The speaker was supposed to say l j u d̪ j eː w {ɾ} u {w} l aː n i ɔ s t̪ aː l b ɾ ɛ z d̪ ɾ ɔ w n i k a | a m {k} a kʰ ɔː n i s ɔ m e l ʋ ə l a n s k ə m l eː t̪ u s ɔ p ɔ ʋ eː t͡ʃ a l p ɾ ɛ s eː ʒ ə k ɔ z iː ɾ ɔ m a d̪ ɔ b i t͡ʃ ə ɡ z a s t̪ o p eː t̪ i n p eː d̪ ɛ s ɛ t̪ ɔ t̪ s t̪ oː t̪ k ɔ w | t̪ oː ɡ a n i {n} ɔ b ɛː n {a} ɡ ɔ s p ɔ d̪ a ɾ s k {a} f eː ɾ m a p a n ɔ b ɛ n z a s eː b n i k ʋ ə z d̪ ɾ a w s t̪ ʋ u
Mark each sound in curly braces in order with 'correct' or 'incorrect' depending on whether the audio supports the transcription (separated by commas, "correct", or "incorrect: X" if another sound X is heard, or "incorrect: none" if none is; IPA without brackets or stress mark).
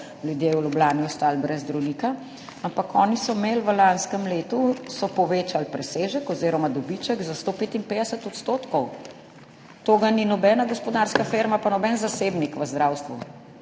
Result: incorrect: l, incorrect: b, incorrect: p, correct, correct, correct